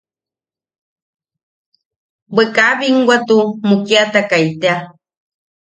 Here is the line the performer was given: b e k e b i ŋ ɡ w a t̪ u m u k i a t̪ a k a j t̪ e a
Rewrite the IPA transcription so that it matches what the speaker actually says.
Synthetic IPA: b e k a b i ŋ ɡ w a t̪ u m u k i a t̪ a k a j t̪ e a